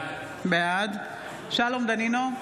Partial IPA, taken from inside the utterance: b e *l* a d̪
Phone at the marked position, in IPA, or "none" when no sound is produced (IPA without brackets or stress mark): none